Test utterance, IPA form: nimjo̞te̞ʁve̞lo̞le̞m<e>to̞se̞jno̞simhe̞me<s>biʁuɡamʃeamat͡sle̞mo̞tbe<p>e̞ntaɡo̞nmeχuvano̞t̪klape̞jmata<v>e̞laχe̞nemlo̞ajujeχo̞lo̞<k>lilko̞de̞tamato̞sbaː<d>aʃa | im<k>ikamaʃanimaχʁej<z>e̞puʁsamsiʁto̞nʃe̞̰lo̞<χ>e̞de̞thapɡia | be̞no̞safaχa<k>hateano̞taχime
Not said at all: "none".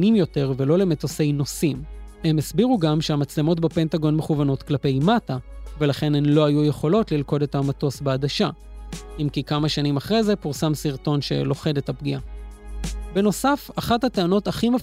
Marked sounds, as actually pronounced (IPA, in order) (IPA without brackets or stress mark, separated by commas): e, s, p, v, t, d, k, z, χ, t